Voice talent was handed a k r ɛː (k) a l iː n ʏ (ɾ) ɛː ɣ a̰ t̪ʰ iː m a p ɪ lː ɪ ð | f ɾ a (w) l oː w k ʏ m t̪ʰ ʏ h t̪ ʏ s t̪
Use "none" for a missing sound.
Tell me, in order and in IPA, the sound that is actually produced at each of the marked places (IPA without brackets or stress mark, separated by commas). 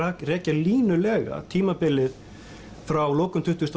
c, l, w